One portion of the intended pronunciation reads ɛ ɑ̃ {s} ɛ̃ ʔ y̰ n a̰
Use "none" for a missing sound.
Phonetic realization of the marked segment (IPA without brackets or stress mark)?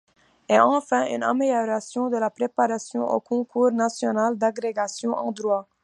f